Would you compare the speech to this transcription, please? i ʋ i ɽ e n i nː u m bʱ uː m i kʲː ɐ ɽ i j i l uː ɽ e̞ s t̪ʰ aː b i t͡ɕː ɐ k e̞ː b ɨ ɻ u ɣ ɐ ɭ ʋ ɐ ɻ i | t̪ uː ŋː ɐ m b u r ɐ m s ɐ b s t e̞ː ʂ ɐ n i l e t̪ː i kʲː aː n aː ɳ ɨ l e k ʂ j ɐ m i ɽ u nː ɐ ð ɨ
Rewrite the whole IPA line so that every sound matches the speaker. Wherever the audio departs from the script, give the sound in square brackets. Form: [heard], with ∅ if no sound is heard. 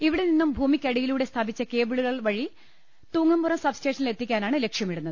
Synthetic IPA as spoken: i ʋ i ɽ e n i nː u m bʱ uː m i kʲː ɐ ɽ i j i l uː ɽ e̞ s t̪ʰ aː b i t͡ɕː ɐ k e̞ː b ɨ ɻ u ɣ ɐ ɭ ʋ ɐ ɻ i | t̪ uː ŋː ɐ m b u r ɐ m s ɐ b s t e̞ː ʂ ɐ n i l e t̪ː i kʲː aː n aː ɳ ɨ l e k ʂ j ɐ m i ɽ u nː ɐ ð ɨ